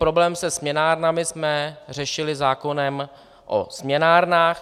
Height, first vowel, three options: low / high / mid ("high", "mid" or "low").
mid